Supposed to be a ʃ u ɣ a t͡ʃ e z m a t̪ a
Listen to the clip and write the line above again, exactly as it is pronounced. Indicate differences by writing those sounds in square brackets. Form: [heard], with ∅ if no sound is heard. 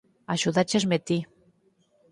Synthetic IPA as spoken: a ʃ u [ð] a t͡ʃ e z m [e] t̪ [i]

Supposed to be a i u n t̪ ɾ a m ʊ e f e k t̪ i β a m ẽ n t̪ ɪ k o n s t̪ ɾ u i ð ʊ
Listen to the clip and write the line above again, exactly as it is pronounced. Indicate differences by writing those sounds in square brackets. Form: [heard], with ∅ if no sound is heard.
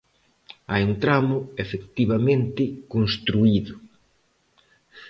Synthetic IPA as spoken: a [j] u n t̪ ɾ a m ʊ e f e k t̪ i β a m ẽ n t̪ ɪ k o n s t̪ ɾ u i ð ʊ

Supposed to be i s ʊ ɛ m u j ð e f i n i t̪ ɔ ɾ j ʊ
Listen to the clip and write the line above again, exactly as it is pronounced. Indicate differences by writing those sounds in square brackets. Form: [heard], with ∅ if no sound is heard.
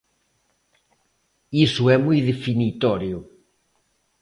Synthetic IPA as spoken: i s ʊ ɛ m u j ð e f i n i t̪ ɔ ɾ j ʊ

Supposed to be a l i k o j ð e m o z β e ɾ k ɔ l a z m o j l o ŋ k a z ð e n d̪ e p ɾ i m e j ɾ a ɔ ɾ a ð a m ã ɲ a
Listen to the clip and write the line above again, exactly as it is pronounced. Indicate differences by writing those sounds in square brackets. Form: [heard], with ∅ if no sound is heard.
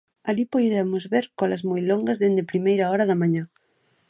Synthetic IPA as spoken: a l i [p] o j ð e m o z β e ɾ k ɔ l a z m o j l o ŋ [ɡ] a z ð e n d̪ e p ɾ i m e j ɾ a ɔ ɾ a ð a m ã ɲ a

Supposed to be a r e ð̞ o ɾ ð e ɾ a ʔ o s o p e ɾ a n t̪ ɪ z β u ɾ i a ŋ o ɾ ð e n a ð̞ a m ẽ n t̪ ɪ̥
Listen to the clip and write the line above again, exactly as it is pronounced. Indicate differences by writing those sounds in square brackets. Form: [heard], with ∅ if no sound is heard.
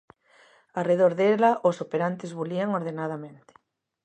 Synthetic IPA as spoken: a r e ð̞ o ɾ ð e [l] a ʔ o s o p e ɾ a n t̪ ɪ z β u [l] i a ŋ o ɾ ð e n a ð̞ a m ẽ n t̪ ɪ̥

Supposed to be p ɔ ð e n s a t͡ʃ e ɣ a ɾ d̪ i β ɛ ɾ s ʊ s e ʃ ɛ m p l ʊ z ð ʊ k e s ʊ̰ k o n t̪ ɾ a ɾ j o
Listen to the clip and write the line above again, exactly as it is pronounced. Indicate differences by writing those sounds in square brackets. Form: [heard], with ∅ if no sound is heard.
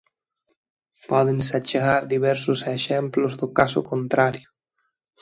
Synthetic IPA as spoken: p ɔ ð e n s a t͡ʃ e ɣ a ɾ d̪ i β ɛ ɾ s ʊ s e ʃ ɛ m p l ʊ z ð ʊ k [a] s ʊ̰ k o n t̪ ɾ a ɾ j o

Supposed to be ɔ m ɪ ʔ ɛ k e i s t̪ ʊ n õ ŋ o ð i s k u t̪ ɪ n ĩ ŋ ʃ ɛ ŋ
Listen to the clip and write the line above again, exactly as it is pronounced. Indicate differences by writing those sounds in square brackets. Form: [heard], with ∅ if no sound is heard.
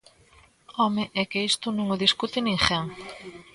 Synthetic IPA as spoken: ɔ m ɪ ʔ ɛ k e i s t̪ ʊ n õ ŋ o ð i s k u t̪ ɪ n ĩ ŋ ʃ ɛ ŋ

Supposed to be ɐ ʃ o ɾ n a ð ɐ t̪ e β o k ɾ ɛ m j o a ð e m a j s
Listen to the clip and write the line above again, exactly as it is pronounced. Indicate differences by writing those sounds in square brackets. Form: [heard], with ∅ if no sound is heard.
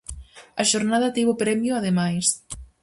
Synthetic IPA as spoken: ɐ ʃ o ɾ n a ð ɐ t̪ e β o [p] ɾ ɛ m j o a ð e m a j s

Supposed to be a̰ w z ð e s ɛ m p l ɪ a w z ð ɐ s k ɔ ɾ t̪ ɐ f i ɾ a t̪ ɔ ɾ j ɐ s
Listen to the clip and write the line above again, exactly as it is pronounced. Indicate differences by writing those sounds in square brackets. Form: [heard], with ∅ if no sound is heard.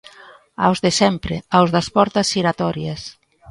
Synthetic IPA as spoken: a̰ w z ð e s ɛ m p [ɾ] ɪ a w z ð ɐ s [p] ɔ ɾ t̪ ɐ [s] i ɾ a t̪ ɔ ɾ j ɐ s

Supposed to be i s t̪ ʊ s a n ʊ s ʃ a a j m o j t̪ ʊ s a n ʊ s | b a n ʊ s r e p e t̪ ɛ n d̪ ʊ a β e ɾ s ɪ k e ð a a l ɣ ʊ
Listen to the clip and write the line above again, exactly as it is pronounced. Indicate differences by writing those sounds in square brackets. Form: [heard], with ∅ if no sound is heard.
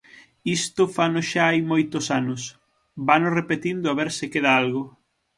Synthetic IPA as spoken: i s t̪ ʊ [f] a n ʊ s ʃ a a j m o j t̪ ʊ s a n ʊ s | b a n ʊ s r e p e t̪ [i] n d̪ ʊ a β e ɾ s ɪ k e ð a a l ɣ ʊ

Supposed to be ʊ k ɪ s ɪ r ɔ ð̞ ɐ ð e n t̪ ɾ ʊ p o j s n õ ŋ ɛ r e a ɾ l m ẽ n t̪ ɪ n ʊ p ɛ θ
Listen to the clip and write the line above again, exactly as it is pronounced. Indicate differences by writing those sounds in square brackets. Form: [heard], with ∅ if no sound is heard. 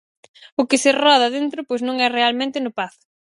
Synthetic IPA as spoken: ʊ k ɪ s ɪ r ɔ ð̞ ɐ ð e n t̪ ɾ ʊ p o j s n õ ŋ ɛ r e a [∅] l m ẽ n t̪ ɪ n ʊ p [a] θ

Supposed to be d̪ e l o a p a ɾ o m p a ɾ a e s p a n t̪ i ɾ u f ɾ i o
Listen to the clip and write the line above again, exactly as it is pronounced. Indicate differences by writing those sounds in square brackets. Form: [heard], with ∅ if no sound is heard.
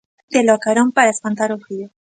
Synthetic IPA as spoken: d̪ e l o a [k] a ɾ o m p a ɾ a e s p a n t̪ [a] ɾ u f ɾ i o

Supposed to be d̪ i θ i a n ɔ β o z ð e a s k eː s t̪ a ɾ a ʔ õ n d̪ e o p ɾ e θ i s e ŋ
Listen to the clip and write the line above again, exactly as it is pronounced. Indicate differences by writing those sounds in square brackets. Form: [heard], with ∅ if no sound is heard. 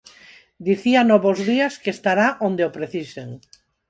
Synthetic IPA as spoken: d̪ i θ i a n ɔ β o z ð [i] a s k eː s t̪ a ɾ a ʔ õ n d̪ e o p ɾ e θ i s e ŋ

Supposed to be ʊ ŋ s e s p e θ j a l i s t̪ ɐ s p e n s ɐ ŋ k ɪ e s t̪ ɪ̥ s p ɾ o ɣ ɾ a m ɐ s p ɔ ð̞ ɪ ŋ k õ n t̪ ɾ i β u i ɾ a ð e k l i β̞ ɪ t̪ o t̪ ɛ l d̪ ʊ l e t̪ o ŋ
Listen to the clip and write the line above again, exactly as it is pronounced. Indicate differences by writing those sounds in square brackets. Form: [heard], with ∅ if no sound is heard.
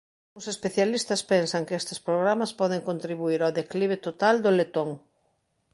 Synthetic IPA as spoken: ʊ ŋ s e s p e θ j a l i s t̪ ɐ s p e n s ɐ ŋ k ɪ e s t̪ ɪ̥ s p ɾ o ɣ ɾ a m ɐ s p ɔ ð̞ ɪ ŋ k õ n t̪ ɾ i β u i ɾ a ð e k l i β̞ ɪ t̪ o t̪ [a] l d̪ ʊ l e t̪ o ŋ

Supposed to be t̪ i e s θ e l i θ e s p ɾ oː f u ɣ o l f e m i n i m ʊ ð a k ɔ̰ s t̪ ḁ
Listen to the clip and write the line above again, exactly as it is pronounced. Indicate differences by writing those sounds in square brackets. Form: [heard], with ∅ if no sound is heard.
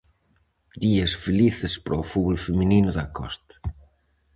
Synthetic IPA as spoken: [d̪] i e s [f] e l i θ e s p ɾ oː f u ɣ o l f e m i n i [n] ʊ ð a k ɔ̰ s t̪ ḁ

